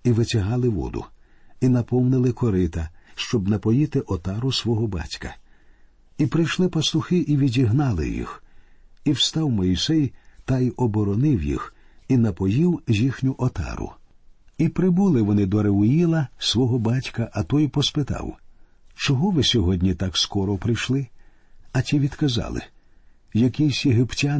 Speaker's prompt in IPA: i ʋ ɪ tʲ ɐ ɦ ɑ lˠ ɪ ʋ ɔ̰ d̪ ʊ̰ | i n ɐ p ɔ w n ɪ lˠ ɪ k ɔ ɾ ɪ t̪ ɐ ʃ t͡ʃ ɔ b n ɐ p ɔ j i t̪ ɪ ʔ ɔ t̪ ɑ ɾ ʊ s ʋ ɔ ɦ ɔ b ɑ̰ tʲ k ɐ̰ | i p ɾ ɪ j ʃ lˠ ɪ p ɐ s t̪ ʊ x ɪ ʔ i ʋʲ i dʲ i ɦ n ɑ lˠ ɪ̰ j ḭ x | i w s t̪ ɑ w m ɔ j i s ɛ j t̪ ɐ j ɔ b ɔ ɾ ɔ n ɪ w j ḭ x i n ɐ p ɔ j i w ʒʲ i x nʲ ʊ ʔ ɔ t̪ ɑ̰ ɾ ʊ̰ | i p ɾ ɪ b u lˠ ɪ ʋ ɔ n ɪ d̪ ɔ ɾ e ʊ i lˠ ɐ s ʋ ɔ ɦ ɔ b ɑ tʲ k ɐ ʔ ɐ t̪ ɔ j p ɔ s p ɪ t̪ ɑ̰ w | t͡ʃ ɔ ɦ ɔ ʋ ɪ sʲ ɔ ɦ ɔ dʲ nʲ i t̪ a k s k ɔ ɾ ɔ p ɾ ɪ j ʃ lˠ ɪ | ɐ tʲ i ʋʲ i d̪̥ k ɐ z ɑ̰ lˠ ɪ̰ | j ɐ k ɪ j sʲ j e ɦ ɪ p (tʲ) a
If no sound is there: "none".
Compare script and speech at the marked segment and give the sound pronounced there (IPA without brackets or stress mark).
tʲ